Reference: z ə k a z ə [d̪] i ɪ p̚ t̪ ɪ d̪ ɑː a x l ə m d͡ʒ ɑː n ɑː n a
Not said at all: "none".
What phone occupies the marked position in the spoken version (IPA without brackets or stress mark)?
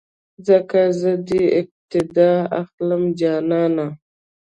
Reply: d̪